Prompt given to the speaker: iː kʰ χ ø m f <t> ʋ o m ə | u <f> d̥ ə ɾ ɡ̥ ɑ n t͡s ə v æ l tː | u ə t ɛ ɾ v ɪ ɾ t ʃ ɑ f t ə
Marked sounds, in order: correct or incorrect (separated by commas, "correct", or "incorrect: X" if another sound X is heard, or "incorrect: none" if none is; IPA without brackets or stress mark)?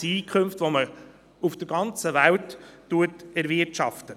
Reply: correct, correct